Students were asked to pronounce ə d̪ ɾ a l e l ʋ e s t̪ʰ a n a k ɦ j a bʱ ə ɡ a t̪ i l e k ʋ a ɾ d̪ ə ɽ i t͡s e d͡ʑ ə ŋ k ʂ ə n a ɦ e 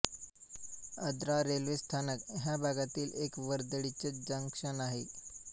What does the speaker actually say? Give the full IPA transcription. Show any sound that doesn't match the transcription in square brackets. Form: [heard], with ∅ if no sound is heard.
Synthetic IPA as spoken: ə d̪ ɾ a [ɾ] e l ʋ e s t̪ʰ a n [ə] k ɦ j a bʱ [a] ɡ a t̪ [iː] l e k ʋ [ə] ɾ d̪ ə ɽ i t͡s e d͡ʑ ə ŋ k ʂ ə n a ɦ e